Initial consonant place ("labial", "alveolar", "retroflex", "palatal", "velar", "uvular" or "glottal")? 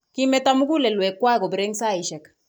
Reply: velar